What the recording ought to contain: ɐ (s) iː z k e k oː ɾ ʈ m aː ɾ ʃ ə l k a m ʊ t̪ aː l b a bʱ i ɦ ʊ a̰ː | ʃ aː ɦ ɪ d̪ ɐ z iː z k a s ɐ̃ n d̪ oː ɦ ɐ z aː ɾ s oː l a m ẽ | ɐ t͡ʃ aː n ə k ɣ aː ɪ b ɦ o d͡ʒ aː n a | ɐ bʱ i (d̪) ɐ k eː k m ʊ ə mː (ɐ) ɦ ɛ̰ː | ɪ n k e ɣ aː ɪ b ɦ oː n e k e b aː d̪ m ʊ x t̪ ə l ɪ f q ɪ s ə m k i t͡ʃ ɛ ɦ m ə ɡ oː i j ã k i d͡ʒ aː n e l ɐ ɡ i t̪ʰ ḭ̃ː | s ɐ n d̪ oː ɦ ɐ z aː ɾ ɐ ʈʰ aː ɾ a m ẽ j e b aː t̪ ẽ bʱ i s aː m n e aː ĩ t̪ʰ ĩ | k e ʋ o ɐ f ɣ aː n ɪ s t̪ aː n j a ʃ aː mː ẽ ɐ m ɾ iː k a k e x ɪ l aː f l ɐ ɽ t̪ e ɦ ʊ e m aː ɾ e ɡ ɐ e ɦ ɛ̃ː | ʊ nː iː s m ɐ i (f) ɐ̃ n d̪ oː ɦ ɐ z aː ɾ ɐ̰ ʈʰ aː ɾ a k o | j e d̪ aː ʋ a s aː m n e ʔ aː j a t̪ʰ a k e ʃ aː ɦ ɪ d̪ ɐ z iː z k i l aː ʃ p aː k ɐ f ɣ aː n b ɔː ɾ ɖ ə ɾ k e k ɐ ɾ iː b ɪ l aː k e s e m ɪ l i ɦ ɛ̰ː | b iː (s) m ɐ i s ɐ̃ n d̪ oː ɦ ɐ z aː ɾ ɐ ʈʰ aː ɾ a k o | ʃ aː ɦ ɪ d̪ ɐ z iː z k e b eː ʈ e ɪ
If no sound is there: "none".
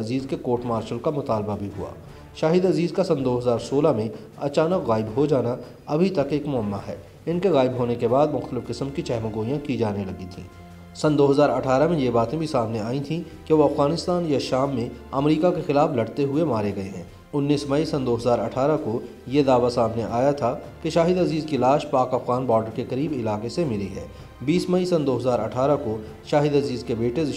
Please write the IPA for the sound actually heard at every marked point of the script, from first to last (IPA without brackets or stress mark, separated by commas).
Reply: z, t̪, a, s, s